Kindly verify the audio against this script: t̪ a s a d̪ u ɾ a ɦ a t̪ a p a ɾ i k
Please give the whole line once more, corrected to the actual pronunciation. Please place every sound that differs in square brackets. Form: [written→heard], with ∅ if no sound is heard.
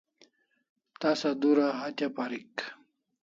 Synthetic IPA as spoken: t̪ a s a d̪ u ɾ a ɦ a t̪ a p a ɾ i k